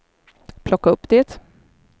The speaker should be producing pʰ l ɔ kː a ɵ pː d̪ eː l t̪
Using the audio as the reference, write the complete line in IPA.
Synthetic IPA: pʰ l ɔ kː a ɵ pː d̪ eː t̪

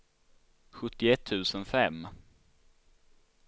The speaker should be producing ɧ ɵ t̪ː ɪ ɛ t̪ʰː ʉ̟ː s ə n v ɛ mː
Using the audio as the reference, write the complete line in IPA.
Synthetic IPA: ɧ ɵ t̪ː ɪ ɛ t̪ʰː ʉ̟ː s ə n f ɛ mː

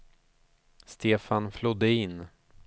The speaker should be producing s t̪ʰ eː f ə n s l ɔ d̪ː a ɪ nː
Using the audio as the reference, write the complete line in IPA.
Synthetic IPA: s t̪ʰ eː f a n f l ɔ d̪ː ə ɪ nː

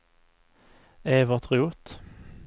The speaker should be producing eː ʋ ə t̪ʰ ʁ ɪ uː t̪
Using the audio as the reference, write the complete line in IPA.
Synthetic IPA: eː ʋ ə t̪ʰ ʁ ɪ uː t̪

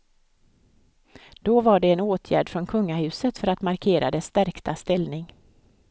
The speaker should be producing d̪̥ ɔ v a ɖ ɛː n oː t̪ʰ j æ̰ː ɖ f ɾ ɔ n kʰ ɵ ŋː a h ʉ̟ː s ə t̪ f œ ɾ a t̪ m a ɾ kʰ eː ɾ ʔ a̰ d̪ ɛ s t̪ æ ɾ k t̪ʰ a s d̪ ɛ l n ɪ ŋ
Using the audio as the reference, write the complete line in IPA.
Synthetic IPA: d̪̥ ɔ v a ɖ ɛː n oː t̪ʰ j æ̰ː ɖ f ɾ ɔ n kʰ ɵ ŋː a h ʉ̟ː s ə t̪ f œ ɾ a t̪ m a ɾ kʰ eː ɾ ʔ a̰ d̪ ɛ s t̪ æ ɾ k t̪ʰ a s t̪ ɛ l n ɪ ŋ

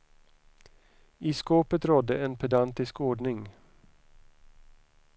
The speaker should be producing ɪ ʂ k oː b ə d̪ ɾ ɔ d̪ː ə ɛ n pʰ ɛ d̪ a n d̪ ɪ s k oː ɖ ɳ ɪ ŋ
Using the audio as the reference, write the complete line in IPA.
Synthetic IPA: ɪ s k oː p ə t̪ ɾ ɔ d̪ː ə ɛ n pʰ ɛ d̪ a n t̪ ɪ s k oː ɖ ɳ ɪ ŋ

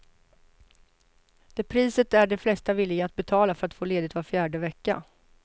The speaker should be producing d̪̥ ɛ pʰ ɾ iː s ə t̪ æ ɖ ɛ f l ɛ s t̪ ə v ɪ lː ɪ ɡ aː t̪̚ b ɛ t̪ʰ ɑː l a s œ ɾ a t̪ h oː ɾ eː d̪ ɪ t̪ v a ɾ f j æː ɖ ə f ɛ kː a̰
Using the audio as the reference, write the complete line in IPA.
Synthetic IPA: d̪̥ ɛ pʰ ɾ iː s ə t̪ æ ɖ ɛ f l ɛ s t̪ a v ɪ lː ɪ ɡ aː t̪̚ b ɛ t̪ʰ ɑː l a f œ ɾ a t̪ f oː l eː d̪ ɪ t̪ v a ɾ f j æː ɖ ə v ɛ kː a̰

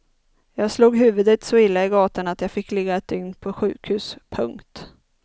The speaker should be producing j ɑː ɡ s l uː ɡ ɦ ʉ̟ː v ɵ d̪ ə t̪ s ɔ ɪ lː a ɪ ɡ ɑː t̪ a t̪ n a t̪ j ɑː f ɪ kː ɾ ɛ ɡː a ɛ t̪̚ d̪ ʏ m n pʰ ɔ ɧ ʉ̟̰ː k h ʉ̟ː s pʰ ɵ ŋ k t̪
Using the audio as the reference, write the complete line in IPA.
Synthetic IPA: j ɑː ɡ s l uː ɡ ɦ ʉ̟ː v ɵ d̪ ə t̪ s ɔ ɪ lː a ɪ ɡ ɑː t̪ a n a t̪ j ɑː f ɪ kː l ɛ ɡː a ɛ t̪̚ d̪ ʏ ŋ n pʰ ɔ ɧ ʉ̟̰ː k h ʉ̟ː s pʰ ɵ ŋ k t̪

